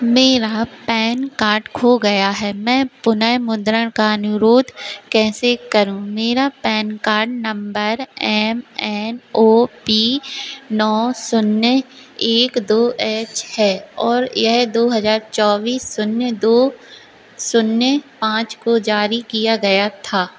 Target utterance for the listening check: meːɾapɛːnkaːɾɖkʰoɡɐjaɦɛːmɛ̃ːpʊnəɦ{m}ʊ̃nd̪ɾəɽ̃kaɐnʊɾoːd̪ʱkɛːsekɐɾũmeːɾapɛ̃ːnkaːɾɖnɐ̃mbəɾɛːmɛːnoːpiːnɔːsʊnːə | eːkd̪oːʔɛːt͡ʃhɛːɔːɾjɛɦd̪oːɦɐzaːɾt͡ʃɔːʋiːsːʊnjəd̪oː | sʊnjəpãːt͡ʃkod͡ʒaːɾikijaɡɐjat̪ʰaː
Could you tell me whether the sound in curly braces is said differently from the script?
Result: no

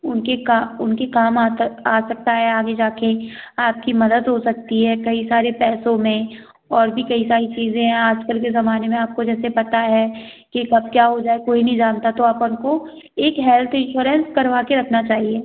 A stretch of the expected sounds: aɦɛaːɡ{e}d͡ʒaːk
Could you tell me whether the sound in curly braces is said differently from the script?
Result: no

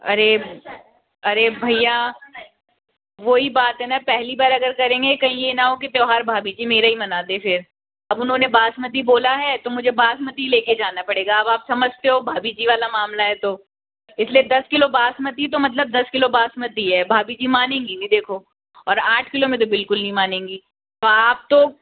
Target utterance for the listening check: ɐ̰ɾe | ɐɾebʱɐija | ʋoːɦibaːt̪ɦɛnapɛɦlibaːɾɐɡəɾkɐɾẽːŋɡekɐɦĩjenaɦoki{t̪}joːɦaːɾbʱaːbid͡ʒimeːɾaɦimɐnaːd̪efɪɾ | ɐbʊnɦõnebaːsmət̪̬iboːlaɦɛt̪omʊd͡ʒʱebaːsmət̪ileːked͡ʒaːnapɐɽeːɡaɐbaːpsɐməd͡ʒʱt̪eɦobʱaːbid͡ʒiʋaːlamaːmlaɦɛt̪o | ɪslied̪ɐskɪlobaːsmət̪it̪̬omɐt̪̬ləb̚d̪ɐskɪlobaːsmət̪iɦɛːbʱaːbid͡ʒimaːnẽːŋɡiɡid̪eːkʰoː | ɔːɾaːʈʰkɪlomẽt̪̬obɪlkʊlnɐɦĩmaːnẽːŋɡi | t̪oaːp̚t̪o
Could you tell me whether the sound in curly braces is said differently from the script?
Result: no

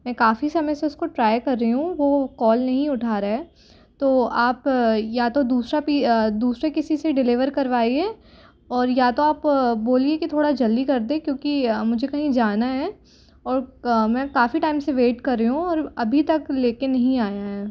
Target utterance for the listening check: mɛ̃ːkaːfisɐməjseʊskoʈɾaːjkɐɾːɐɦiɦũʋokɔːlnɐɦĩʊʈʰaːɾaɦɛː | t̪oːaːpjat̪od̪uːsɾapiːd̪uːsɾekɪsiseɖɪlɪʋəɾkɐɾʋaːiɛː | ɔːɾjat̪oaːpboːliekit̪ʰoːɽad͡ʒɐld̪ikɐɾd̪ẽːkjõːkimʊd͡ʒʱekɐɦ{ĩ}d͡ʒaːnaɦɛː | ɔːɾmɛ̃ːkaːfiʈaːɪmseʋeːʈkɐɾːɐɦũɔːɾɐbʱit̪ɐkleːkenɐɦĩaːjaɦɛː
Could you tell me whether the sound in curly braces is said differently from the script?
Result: no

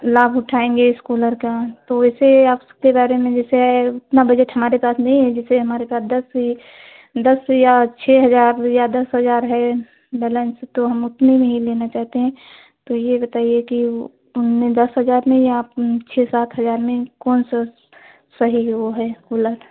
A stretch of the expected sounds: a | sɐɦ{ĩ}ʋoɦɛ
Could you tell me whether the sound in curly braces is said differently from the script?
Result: yes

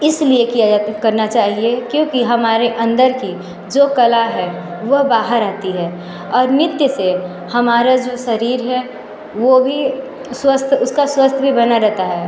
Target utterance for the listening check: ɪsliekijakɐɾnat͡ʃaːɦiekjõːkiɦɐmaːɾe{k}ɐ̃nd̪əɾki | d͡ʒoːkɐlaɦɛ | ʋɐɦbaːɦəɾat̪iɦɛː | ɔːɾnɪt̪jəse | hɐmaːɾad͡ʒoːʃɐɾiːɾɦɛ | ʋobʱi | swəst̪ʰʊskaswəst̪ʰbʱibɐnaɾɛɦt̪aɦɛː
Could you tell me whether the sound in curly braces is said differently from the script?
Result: yes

